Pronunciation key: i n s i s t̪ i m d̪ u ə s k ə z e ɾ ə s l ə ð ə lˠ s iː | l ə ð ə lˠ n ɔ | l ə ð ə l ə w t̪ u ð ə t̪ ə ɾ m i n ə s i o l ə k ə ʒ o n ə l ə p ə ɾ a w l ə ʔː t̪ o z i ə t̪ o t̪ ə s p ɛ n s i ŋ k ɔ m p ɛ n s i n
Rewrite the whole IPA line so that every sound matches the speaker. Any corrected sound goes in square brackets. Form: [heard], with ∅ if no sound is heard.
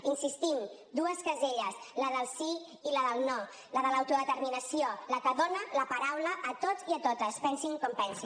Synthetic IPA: i n s i s t̪ i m d̪ u ə s k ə z e [ʎ] ə s l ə ð ə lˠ s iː | l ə ð ə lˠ n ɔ | l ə ð ə l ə w t̪ u ð ə t̪ ə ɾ m i n ə s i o l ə k ə [ð] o n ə l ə p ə ɾ a w l ə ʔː t̪ o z i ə t̪ o t̪ ə s p ɛ n s i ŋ k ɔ m p ɛ n s i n